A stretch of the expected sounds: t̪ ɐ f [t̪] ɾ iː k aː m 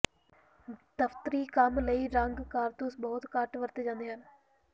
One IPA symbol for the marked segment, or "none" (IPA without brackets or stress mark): t̪